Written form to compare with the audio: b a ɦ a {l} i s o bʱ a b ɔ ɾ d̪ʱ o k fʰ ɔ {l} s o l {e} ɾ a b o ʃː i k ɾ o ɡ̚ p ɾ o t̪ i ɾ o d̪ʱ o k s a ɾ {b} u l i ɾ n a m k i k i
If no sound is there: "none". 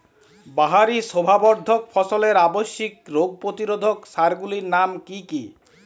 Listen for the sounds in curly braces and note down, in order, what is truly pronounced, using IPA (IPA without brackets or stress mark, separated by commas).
ɾ, none, e, ɡ